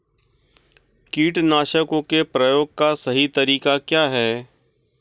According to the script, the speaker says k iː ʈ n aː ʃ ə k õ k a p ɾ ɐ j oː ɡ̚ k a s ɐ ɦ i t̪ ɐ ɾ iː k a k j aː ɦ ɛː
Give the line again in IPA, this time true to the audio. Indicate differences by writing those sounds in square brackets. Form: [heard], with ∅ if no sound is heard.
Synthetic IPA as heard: k iː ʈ n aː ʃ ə k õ k [e] p ɾ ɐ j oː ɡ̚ k a s ɐ ɦ i t̪ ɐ ɾ iː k a k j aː ɦ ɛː